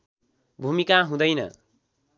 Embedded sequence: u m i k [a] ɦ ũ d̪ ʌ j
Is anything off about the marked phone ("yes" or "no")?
no